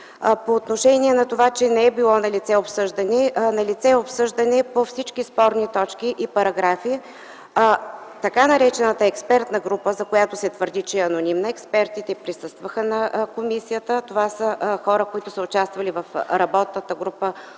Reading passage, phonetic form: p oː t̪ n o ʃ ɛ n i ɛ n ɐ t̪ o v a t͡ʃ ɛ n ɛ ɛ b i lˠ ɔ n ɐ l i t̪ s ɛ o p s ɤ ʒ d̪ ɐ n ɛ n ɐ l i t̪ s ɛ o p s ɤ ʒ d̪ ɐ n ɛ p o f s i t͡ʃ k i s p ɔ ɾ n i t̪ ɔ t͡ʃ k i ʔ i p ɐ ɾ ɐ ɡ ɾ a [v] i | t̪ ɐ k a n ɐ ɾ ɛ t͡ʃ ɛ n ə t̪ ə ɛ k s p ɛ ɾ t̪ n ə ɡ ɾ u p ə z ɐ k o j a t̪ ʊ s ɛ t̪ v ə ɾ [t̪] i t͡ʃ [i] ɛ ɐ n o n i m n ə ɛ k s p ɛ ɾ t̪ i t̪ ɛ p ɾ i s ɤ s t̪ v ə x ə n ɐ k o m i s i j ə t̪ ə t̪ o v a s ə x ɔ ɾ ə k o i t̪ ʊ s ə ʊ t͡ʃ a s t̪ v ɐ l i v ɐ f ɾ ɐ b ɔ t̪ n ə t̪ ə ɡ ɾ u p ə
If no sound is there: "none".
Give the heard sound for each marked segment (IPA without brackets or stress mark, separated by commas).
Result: f, d̪, ɛ